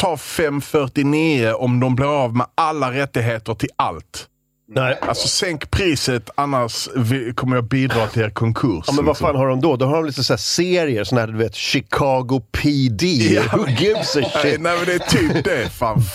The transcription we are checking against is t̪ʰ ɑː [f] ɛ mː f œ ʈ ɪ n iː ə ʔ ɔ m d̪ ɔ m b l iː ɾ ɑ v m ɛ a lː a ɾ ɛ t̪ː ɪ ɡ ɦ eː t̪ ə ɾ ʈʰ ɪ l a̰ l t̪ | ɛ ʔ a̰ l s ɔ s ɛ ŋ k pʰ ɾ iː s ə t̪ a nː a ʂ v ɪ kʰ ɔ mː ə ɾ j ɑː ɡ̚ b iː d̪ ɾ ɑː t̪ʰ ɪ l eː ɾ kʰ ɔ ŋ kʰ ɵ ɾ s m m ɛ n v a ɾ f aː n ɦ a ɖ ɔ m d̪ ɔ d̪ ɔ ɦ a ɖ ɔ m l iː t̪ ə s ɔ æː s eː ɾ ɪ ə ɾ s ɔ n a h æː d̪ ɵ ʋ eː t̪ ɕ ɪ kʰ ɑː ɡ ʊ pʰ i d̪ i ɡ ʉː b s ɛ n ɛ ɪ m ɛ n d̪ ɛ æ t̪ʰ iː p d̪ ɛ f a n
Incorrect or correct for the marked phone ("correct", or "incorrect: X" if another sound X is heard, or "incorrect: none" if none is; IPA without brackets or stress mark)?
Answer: correct